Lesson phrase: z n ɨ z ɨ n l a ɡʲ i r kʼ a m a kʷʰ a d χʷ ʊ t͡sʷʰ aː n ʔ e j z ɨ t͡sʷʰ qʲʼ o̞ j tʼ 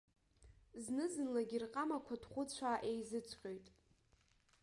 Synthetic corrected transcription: z n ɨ z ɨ n l a ɡʲ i r qʼ a m a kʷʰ a d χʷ ʊ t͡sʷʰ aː ʔ e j z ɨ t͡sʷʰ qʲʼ o̞ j tʼ